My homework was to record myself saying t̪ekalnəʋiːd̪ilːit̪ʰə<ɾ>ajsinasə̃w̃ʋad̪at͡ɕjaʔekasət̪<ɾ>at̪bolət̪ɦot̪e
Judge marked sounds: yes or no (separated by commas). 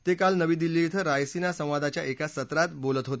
yes, yes